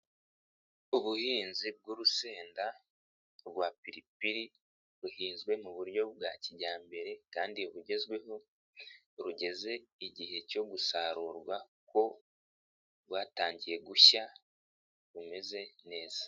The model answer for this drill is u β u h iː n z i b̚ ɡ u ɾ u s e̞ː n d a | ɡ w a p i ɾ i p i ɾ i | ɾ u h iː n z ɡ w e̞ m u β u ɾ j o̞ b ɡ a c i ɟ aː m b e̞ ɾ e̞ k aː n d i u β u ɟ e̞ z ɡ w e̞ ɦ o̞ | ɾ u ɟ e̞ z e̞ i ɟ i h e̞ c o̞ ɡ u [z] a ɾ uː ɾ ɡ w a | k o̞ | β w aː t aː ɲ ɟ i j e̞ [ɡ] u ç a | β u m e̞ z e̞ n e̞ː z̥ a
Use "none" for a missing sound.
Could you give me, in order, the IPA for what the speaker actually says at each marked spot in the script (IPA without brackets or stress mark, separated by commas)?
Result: s, ɡ